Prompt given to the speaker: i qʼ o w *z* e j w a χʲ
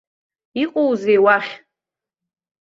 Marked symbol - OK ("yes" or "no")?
yes